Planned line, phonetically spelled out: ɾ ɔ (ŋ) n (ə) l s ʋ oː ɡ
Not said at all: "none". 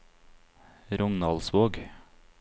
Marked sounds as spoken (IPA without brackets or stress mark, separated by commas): ŋ, ɑ